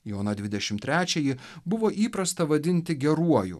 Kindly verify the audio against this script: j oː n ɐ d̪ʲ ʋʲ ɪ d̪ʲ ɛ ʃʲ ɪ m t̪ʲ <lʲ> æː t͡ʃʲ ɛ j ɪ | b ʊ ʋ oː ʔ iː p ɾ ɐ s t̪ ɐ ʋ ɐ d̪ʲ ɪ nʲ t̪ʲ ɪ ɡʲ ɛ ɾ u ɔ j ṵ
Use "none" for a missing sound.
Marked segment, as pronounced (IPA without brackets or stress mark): ɾʲ